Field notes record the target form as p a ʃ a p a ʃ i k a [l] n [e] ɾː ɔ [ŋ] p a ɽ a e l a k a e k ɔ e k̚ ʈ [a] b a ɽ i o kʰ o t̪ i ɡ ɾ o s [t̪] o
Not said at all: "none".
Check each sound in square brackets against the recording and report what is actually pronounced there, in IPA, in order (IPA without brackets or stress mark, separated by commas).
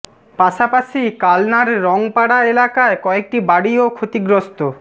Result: l, a, ŋ, i, t̪